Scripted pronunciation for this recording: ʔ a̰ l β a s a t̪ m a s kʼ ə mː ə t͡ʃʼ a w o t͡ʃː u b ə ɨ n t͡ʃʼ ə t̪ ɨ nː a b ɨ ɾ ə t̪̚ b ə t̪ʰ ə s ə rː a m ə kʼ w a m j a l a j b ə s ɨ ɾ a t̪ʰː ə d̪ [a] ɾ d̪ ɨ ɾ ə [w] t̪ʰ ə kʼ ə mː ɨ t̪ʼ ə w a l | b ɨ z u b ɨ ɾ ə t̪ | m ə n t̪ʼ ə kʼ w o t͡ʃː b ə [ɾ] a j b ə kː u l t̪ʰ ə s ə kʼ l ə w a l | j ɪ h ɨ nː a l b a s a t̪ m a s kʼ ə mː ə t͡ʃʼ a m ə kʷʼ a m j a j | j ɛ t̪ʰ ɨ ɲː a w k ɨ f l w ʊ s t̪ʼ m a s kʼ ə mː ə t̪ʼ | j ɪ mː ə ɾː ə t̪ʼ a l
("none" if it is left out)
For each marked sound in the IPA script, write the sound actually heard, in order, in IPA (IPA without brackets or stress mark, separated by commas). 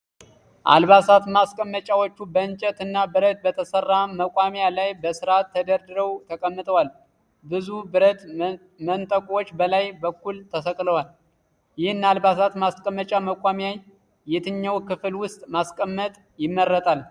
ə, w, l